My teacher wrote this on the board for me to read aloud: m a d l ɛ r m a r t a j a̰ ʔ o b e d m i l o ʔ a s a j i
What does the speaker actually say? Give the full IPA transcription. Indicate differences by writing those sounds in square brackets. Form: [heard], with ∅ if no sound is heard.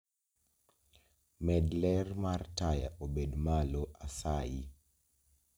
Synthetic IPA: m [ɛ] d l ɛ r m a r t a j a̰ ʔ o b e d m [a] l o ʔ a s a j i